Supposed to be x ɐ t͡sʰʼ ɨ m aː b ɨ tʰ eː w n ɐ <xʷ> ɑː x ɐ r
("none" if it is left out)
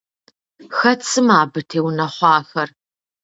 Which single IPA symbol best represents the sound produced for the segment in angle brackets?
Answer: χʷ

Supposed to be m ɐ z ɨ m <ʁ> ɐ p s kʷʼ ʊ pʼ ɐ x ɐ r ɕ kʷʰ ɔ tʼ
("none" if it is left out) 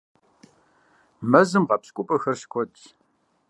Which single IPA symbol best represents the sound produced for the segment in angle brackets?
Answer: ʁ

